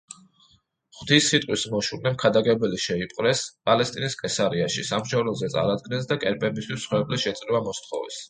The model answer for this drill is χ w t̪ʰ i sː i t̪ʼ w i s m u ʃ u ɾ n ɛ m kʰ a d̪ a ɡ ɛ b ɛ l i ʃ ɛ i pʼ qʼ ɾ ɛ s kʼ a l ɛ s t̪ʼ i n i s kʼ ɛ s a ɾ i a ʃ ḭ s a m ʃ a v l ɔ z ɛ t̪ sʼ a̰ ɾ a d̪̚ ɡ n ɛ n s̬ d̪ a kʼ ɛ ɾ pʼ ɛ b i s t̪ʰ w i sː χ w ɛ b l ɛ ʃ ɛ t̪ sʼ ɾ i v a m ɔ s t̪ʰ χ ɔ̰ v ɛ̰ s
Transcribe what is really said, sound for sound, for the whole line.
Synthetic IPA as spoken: χ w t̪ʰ i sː i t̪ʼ w i s m ɔ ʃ u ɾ n ɛ m kʰ a d̪ a ɡ ɛ b ɛ l i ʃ ɛ i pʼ qʼ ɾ ɛ s pʼ a l ɛ s t̪ʼ i n i s kʼ ɛ s a ɾ i a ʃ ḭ s a m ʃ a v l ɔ z ɛ t̪ sʼ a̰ ɾ a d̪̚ ɡ n ɛ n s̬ d̪ a kʼ ɛ ɾ pʼ ɛ b i s t̪ʰ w i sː χ w ɛ b l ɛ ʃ ɛ t̪ sʼ ɾ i v a m ɔ s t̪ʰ χ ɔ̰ v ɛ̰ s